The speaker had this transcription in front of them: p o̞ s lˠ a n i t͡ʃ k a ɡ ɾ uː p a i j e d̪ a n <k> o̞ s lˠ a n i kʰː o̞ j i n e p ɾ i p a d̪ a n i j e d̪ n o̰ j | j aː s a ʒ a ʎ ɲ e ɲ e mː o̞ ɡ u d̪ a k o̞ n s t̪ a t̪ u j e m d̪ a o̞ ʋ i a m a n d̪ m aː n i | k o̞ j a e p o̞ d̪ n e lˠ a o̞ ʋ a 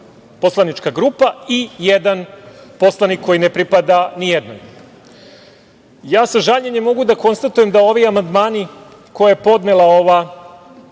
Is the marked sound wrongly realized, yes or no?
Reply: yes